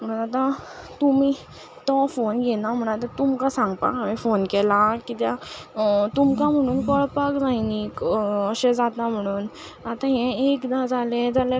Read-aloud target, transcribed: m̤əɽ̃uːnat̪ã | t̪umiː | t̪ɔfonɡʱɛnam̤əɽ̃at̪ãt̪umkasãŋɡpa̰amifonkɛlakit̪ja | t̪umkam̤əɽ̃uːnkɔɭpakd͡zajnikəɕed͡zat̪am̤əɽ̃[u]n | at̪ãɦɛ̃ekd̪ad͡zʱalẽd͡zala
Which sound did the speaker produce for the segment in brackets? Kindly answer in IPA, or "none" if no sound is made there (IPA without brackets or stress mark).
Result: uː